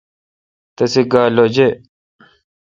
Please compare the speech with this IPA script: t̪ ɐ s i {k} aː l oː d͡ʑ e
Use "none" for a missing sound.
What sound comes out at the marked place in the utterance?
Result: ɡ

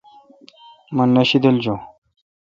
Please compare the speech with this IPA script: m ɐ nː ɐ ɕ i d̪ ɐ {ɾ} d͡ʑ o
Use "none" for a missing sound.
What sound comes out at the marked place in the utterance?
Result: l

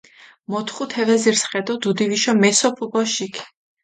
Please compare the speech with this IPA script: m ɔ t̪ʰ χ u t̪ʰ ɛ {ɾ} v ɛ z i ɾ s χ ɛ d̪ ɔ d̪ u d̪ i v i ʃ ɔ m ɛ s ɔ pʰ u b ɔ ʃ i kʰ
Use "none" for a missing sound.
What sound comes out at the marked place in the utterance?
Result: none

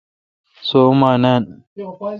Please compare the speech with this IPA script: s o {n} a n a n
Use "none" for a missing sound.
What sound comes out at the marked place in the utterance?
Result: m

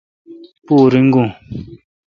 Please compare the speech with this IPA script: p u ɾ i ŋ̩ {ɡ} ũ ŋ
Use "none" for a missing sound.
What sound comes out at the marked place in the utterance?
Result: ɡ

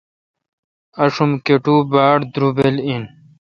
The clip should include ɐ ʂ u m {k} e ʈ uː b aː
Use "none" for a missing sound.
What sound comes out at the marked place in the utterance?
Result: k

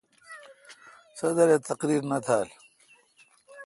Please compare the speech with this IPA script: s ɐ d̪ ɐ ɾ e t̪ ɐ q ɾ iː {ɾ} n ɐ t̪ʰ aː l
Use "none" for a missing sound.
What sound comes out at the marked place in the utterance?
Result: ɾ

